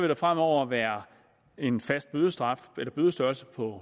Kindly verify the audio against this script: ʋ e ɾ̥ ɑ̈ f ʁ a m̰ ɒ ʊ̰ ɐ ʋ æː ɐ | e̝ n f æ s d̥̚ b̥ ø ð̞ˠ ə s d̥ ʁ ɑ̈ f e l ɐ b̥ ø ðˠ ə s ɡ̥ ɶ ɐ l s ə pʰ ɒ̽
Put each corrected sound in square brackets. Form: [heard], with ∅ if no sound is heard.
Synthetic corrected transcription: ʋ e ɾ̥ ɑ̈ f ʁ a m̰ ɒ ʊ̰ ɐ ʋ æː ɐ | e̝ n f æ s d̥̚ b̥ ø ð̞ˠ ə s d̥ ʁ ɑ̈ f e l ɐ b̥ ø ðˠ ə s [d̥] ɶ ɐ l s ə pʰ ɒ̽